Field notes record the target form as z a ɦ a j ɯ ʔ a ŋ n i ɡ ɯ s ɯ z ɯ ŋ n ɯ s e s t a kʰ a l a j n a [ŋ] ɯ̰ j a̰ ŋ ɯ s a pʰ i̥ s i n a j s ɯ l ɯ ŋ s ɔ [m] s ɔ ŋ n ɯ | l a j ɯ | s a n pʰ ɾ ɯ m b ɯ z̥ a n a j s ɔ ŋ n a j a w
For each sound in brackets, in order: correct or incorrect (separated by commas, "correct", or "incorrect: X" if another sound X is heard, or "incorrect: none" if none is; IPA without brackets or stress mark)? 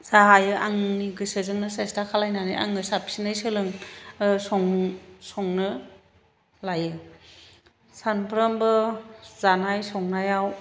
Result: incorrect: n, incorrect: ŋ